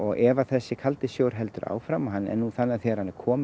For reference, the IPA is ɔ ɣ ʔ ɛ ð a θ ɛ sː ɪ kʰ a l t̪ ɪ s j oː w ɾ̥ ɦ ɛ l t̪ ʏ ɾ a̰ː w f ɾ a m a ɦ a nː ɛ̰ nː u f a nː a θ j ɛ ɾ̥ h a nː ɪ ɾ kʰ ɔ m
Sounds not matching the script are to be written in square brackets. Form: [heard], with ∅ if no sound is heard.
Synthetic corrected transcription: ɔ ɣ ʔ ɛ [v] a θ ɛ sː ɪ kʰ a l t̪ ɪ s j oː w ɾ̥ ɦ ɛ l t̪ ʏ ɾ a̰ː w f ɾ a m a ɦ a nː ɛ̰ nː u [θ] a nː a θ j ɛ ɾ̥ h a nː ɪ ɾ kʰ [ɔː] m